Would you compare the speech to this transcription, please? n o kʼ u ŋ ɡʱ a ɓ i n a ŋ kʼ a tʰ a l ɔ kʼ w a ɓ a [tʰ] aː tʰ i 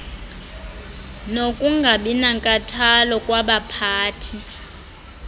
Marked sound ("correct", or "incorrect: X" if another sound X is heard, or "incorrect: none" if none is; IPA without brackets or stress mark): incorrect: pʰ